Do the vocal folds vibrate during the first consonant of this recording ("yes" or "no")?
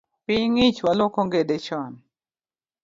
no